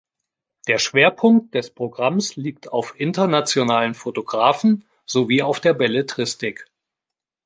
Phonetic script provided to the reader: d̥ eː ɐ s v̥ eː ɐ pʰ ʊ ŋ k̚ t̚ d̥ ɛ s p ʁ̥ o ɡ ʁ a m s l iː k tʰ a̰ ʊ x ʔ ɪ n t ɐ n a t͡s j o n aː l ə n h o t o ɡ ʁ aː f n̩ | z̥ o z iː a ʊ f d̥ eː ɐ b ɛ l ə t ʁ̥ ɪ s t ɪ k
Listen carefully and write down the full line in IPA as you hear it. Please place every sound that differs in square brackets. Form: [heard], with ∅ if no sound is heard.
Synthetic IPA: d̥ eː ɐ [ʃ] v̥ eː ɐ pʰ ʊ ŋ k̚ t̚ d̥ ɛ s p ʁ̥ o ɡ ʁ a m s l iː k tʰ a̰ ʊ [f] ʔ ɪ n t ɐ n a t͡s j o n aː l ə n [f] o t o ɡ ʁ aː f n̩ | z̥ o [v] iː a ʊ f d̥ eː ɐ b ɛ l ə t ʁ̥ ɪ s t ɪ k